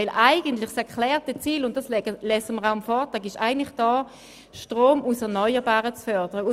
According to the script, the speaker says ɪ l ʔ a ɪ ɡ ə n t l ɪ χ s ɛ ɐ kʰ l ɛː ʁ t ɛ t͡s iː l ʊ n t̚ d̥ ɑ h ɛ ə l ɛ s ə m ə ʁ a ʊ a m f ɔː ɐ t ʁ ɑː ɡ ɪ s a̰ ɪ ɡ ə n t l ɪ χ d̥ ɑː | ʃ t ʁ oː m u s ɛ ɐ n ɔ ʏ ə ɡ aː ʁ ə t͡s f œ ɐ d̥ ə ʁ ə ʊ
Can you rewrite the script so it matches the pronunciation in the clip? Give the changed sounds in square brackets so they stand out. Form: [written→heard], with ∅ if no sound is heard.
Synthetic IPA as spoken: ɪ l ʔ a ɪ ɡ ə n t l ɪ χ s ɛ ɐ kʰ l ɛː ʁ t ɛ t͡s iː l ʊ n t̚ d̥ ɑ [h→s] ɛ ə l ɛ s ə m ə ʁ a ʊ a m f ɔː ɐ t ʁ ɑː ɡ ɪ [s→ʃ] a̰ ɪ ɡ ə n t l ɪ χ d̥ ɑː | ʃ t ʁ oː m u s ɛ ɐ n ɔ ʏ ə [ɡ→b] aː ʁ ə t͡s f œ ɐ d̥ ə ʁ ə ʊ